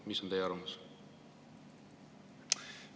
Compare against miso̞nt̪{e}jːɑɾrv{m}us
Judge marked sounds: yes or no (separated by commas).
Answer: yes, yes